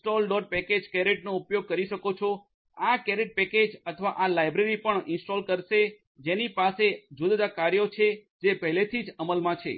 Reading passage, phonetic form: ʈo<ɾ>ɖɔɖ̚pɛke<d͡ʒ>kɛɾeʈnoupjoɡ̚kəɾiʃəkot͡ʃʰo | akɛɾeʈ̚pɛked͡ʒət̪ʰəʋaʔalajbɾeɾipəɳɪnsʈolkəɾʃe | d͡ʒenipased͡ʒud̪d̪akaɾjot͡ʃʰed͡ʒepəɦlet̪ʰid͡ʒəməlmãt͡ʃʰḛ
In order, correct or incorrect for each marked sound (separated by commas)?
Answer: incorrect, correct